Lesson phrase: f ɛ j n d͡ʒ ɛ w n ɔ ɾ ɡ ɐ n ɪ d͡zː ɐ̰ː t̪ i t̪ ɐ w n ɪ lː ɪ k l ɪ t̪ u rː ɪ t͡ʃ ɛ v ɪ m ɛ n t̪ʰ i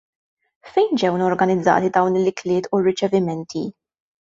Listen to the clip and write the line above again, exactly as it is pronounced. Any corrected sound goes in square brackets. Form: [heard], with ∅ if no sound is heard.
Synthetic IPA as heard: f ɛ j n d͡ʒ ɛ w n ɔ ɾ ɡ ɐ n ɪ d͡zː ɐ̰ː t̪ i [d̪] ɐ w n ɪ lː ɪ k l [ɪː] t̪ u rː ɪ t͡ʃ ɛ v ɪ m ɛ n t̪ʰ i